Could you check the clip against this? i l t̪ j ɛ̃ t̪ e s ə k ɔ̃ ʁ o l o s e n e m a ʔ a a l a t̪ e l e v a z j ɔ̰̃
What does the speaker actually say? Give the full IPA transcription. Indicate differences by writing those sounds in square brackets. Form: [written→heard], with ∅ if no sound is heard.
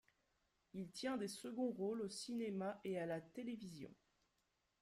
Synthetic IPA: i l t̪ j ɛ̃ [t̪→d̪] e s ə [k→ɡ] ɔ̃ ʁ o l o s [e→i] n e m a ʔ [a→e] a l a t̪ e l e v [a→i] z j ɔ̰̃